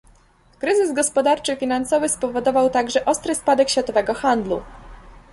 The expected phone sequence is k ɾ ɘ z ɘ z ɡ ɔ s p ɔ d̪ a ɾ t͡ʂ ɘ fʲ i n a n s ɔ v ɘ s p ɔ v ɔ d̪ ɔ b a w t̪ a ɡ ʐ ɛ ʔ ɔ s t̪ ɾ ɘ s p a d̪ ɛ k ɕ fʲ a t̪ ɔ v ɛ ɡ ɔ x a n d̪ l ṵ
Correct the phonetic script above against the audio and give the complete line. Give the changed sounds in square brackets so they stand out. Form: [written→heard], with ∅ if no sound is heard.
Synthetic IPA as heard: k ɾ ɘ z ɘ z ɡ ɔ s p ɔ d̪ a ɾ t͡ʂ ɘ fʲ i n a n s ɔ v ɘ s p ɔ v ɔ d̪ ɔ [b→v] a w t̪ a ɡ ʐ ɛ ʔ ɔ s t̪ ɾ ɘ s p a d̪ ɛ k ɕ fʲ a t̪ ɔ v ɛ ɡ ɔ x a n d̪ l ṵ